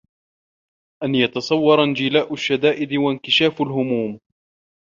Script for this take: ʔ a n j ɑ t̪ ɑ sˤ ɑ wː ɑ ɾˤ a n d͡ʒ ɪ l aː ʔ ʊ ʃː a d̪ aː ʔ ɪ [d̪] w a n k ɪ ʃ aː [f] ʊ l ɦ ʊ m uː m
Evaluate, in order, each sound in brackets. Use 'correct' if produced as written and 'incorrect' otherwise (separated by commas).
correct, correct